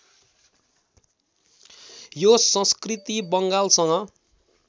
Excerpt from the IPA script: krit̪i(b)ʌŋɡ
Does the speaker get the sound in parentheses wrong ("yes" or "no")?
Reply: no